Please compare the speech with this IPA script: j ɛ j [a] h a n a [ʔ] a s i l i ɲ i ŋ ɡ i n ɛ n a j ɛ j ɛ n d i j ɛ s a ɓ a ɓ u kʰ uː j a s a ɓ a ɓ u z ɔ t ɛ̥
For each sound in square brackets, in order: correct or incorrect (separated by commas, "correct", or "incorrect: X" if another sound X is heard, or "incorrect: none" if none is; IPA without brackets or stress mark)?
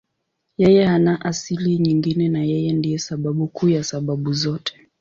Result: incorrect: ɛ, correct